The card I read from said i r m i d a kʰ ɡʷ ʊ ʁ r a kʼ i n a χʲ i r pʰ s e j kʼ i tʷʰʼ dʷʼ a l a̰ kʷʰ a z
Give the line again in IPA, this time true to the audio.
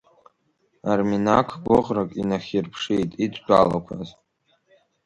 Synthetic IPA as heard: a r m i n a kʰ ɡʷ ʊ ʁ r a kʼ i n a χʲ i r pʰ ʂ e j tʼ i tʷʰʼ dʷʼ a l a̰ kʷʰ a z